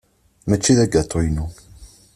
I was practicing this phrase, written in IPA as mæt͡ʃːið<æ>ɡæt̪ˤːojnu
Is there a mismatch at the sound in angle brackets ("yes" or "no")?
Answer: no